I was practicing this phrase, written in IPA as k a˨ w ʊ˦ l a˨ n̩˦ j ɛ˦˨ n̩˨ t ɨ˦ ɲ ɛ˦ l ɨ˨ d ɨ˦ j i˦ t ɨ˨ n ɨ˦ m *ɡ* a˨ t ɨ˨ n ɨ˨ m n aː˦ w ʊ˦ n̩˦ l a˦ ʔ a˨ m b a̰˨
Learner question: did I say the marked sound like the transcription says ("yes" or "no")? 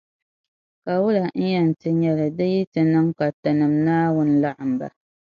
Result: no